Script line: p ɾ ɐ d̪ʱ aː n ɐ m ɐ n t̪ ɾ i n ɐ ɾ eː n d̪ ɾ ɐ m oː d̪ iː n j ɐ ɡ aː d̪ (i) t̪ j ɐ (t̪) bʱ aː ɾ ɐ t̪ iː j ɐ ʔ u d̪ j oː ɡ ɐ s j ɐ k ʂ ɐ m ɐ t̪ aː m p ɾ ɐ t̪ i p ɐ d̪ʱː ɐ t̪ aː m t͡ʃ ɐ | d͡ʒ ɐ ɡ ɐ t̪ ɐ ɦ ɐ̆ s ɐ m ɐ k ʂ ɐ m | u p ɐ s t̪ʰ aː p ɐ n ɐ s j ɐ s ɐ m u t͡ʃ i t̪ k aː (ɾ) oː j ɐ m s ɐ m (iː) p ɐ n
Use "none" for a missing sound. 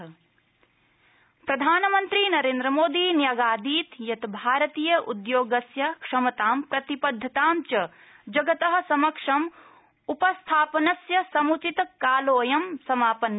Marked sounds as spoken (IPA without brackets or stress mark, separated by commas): iː, t̪, l, aː